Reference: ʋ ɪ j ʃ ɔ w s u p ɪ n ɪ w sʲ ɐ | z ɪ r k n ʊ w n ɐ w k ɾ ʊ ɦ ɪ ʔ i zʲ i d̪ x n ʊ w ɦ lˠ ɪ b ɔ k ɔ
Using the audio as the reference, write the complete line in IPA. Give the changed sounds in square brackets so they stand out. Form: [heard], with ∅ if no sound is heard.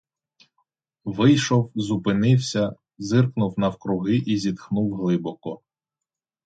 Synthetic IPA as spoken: ʋ ɪ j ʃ ɔ w [z] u p ɪ n ɪ w sʲ ɐ | z ɪ r k n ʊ w n ɐ w k ɾ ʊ ɦ ɪ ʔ i zʲ i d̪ x n [u] w ɦ lˠ ɪ b ɔ k ɔ